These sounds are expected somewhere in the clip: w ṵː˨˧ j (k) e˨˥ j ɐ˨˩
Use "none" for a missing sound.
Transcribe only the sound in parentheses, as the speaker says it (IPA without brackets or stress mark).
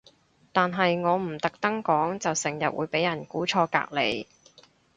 p